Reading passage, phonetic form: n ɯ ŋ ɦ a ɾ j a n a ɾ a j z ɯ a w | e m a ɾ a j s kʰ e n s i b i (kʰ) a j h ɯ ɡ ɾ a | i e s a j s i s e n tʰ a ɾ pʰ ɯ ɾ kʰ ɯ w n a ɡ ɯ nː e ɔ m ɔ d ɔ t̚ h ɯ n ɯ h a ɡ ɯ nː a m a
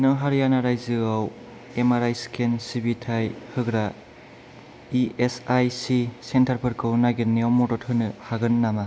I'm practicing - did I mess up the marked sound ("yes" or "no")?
yes